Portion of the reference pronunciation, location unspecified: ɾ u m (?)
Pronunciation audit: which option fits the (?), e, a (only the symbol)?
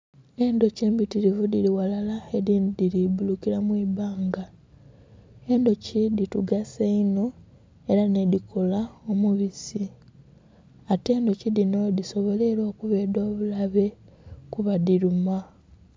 a